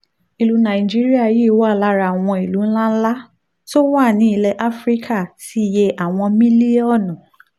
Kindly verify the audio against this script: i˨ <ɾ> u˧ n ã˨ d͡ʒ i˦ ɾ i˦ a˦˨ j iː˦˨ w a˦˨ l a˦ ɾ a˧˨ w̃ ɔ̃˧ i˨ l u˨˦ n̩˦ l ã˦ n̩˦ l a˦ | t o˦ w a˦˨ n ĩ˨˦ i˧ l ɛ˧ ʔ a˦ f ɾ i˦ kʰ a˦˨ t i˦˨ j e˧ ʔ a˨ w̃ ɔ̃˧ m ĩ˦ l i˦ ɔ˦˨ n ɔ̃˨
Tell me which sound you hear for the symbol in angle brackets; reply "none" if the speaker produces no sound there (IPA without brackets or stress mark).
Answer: l